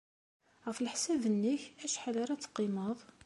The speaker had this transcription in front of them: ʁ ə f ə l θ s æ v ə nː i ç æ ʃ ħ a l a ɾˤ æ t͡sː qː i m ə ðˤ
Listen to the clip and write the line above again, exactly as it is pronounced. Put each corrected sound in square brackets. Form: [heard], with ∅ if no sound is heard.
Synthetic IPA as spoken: ʁ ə f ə l [ħ] s æ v ə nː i ç æ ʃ ħ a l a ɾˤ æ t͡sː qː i m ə ðˤ